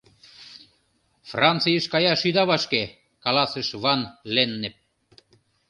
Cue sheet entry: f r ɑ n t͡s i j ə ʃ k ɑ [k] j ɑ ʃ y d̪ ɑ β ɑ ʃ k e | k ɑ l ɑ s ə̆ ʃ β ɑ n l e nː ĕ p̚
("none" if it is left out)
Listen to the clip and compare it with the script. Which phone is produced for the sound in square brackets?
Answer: none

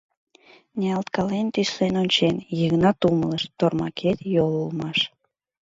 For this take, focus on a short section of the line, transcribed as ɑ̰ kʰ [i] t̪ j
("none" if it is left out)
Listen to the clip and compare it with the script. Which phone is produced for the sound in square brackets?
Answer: e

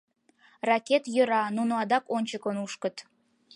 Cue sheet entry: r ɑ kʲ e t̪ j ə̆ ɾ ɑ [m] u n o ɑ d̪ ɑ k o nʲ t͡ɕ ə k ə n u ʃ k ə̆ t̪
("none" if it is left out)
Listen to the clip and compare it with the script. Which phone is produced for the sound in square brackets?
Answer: n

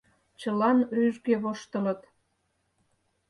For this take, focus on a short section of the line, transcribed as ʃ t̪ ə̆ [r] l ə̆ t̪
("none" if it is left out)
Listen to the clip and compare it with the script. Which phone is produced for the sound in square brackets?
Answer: none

